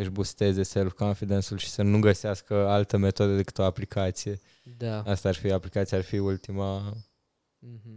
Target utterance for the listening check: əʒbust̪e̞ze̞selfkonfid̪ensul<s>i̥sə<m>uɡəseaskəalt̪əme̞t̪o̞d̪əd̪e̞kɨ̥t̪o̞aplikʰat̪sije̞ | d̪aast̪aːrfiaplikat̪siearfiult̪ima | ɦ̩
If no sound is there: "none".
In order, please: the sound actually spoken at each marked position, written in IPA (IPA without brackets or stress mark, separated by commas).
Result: ʃ, n